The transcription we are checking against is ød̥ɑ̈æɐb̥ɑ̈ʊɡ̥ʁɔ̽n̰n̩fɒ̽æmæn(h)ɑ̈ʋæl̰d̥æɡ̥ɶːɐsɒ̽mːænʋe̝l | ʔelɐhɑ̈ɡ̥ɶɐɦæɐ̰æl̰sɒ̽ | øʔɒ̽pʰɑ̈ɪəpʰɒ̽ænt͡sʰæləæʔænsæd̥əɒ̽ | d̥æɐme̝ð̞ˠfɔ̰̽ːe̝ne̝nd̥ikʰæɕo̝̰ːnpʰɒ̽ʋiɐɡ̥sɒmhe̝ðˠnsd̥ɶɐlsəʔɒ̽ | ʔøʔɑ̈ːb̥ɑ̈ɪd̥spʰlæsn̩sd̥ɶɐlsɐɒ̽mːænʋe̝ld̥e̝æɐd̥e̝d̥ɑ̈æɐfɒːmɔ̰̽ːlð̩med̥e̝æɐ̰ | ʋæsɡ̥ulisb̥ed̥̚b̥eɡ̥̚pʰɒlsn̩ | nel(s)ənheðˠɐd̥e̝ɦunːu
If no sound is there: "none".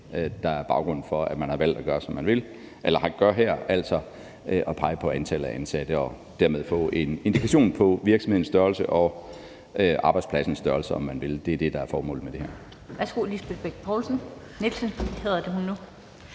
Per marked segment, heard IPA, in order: h, s

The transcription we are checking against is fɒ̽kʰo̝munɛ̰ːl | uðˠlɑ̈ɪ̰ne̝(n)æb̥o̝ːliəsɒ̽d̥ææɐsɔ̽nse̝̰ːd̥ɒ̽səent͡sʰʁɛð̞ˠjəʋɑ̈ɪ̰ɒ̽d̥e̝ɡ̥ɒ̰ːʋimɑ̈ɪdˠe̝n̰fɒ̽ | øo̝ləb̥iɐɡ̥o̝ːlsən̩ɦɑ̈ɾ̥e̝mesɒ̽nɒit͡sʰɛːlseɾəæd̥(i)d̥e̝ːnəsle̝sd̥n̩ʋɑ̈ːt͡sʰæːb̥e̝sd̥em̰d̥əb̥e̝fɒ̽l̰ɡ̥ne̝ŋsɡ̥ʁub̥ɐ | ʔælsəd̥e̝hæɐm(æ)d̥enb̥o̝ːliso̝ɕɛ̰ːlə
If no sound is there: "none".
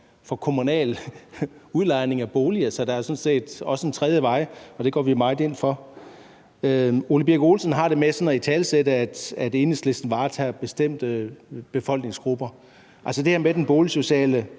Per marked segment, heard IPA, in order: ŋ, æ, e

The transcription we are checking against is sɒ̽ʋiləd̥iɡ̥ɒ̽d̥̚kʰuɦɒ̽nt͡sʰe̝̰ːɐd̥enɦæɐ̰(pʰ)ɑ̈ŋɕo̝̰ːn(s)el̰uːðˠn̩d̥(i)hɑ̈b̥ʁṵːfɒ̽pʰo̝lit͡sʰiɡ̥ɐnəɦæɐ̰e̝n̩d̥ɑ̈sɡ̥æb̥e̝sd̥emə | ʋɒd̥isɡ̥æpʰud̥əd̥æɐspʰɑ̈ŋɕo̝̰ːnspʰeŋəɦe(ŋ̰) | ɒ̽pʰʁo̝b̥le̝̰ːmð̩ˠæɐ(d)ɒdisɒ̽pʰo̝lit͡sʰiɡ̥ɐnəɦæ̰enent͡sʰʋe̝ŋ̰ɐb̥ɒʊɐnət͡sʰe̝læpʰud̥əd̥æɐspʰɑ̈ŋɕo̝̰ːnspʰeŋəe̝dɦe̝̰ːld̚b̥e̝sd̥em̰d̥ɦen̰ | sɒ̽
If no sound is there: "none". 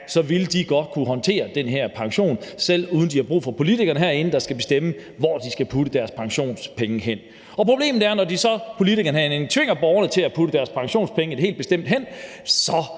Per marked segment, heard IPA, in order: pʰ, s, i, n̰, n

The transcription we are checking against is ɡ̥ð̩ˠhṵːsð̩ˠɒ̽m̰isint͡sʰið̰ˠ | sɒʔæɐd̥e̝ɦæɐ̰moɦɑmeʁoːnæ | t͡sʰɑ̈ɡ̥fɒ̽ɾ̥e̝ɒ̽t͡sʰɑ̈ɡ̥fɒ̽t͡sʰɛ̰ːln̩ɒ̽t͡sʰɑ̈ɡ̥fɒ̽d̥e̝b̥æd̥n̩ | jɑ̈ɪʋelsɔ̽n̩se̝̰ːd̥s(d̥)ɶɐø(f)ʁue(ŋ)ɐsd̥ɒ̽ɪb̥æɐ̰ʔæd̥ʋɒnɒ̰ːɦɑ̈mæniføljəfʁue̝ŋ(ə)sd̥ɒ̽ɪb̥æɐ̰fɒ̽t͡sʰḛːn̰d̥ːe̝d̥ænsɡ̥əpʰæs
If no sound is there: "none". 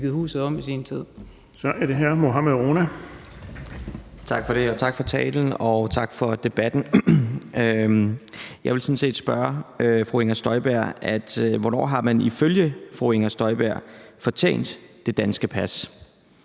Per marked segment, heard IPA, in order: b̥, f, ŋ, ɐ

